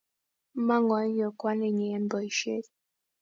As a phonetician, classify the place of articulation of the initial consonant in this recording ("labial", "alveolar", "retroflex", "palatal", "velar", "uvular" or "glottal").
labial